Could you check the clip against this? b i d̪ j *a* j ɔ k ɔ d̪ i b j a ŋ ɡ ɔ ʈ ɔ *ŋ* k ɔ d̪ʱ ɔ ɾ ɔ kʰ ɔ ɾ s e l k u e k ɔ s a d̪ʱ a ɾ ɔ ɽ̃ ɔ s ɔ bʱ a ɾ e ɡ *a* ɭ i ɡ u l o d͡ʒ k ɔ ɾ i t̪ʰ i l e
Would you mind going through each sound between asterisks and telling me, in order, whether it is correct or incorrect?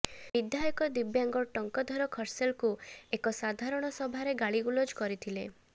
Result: correct, correct, correct

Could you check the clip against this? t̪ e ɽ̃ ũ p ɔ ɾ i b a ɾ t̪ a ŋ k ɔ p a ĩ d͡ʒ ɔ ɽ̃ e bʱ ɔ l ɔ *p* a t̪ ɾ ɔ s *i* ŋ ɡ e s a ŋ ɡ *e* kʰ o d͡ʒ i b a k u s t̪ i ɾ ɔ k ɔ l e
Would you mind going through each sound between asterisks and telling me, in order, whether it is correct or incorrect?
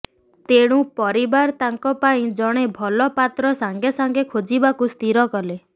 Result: correct, incorrect: a, correct

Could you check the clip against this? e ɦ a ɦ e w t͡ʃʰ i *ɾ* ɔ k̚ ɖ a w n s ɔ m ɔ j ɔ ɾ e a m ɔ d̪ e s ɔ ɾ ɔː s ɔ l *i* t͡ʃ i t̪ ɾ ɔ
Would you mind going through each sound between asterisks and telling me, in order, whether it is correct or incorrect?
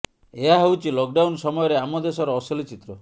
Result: incorrect: l, correct

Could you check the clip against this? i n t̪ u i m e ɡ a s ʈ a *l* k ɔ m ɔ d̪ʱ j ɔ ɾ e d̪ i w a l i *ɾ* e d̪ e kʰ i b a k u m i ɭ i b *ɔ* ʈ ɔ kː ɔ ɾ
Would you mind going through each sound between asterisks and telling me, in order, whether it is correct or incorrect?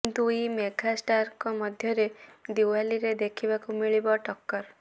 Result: incorrect: ɾ, correct, correct

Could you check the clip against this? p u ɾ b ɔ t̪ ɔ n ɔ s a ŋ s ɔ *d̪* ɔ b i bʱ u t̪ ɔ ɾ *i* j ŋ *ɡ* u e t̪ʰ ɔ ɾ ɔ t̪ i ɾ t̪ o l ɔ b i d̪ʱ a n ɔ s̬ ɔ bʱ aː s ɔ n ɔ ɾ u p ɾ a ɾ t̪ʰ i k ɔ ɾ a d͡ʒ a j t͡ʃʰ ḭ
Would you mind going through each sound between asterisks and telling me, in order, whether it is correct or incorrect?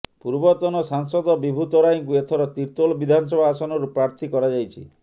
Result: correct, incorrect: a, incorrect: k

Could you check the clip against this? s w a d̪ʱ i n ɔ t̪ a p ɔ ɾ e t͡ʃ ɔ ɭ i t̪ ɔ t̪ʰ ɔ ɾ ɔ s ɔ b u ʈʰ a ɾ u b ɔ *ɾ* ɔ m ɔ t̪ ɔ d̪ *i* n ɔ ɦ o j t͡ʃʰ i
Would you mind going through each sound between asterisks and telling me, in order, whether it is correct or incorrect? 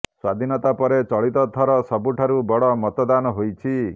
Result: incorrect: ɽ, incorrect: a

